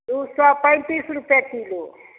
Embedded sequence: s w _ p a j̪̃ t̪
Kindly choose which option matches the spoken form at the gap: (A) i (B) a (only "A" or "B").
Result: B